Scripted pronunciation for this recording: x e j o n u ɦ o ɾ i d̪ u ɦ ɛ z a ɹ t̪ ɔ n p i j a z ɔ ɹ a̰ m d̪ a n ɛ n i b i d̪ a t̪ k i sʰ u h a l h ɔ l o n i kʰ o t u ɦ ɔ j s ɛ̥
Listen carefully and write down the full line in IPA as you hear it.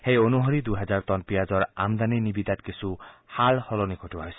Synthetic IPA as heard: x e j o n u ɦ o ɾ i d̪ u ɦ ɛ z a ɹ t̪ ɔ n p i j a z ɔ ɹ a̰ m d̪ a n i n i b i d̪ a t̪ k i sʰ u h a l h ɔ l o n i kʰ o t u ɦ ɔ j s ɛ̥